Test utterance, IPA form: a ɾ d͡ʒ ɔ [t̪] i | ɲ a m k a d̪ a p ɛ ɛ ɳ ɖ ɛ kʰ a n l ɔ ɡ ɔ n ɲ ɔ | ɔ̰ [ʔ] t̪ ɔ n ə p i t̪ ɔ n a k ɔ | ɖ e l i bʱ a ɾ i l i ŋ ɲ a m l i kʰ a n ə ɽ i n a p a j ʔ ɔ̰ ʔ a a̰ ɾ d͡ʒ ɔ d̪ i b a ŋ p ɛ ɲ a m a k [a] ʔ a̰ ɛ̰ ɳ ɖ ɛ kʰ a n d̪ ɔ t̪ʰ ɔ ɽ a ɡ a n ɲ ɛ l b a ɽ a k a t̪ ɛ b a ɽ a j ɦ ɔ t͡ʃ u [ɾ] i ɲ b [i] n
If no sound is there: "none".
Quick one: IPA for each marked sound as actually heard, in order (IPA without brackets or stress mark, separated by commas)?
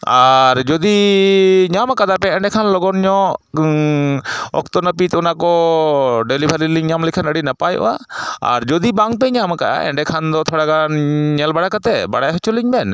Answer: d̪, k, a, l, ɛ